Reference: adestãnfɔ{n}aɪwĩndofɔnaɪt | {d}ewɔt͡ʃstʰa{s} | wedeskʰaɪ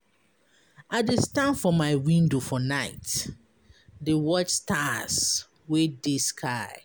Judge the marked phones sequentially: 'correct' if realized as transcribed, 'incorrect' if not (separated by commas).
incorrect, correct, correct